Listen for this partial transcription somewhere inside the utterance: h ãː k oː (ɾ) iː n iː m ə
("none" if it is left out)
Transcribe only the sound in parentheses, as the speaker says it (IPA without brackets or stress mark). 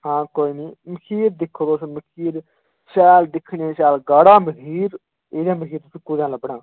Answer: none